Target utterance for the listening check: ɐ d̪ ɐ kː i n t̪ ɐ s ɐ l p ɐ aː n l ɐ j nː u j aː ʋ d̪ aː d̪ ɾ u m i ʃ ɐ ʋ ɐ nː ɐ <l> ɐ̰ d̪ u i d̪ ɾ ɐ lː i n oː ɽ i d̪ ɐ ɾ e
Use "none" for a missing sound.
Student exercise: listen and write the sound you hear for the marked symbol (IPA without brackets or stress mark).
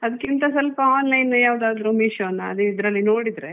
none